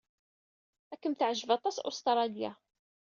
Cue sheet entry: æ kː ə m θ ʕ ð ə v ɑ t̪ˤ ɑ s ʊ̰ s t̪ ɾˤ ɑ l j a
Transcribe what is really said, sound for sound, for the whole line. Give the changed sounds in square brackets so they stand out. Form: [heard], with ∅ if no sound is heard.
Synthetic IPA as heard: æ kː ə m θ ʕ [ʒ] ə v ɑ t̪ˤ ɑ s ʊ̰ s t̪ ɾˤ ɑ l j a